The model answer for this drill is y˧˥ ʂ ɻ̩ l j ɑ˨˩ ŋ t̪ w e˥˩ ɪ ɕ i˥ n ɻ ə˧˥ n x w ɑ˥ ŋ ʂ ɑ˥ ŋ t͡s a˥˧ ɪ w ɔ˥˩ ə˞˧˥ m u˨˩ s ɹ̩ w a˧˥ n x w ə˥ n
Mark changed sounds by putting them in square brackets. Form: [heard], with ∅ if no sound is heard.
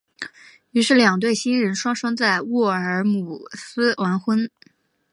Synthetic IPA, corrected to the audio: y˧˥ ʂ ɻ̩ l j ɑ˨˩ ŋ t̪ w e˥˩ ɪ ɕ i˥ n ɻ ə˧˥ n [ʂ] w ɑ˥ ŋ ʂ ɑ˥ ŋ t͡s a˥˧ ɪ w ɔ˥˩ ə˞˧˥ m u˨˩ s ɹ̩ w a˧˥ n x w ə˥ n